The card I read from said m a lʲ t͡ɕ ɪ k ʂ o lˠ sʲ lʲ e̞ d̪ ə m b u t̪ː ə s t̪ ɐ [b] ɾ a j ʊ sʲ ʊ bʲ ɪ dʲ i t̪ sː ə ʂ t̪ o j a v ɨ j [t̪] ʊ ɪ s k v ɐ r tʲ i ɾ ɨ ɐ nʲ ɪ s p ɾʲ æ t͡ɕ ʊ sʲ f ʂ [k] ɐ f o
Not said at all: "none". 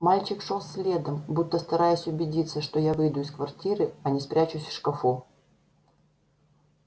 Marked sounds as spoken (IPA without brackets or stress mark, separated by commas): none, d̪, k